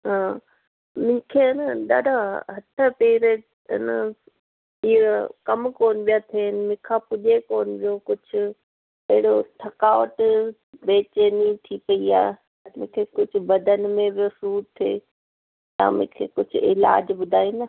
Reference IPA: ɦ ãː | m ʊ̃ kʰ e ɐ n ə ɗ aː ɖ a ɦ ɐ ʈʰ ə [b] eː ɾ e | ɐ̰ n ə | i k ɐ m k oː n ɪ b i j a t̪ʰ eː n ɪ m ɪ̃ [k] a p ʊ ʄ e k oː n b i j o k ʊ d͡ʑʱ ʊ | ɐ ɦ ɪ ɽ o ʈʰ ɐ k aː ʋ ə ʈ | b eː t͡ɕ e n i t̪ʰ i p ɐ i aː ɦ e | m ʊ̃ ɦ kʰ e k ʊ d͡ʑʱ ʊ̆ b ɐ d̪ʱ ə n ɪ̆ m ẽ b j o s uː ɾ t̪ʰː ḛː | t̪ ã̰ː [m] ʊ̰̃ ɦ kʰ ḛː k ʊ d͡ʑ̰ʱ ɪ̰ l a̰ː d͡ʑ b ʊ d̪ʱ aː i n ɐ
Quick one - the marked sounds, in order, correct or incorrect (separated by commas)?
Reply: incorrect, incorrect, correct